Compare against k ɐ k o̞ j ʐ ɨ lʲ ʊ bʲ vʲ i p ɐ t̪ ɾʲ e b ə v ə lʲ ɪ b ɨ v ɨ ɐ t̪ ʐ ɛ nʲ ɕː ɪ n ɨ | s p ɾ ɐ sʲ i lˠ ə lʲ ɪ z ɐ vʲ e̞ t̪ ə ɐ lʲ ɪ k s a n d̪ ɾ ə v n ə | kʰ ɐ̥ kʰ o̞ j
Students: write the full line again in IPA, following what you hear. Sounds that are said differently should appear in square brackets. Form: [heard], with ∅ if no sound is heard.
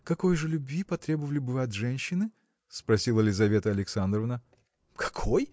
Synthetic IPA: k ɐ k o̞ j ʐ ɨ lʲ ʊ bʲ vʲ i p ɐ t̪ ɾʲ e b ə v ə lʲ ɪ b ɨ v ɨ ɐ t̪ ʐ ɛ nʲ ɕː ɪ n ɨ | s p ɾ ɐ sʲ i lˠ ə lʲ ɪ z ɐ vʲ e̞ t̪ ə ɐ lʲ ɪ k s a n d̪ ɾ ə v n ə | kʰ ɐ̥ kʰ o̞ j